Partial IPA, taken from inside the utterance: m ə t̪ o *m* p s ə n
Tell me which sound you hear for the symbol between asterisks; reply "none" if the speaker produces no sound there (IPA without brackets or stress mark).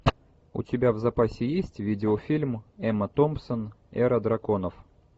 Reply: m